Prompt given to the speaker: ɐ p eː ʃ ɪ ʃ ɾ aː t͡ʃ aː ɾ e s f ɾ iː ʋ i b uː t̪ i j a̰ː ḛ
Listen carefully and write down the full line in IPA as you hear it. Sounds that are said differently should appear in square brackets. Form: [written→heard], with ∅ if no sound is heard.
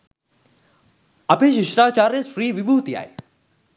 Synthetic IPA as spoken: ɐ p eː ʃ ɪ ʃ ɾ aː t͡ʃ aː ɾ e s f ɾ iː ʋ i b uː t̪ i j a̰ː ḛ